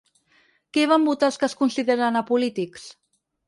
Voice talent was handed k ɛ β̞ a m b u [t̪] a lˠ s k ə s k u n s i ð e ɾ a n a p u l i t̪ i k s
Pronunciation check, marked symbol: correct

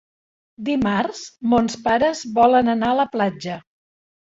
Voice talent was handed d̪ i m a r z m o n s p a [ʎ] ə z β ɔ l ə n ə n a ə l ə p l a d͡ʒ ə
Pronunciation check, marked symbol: incorrect: ɾ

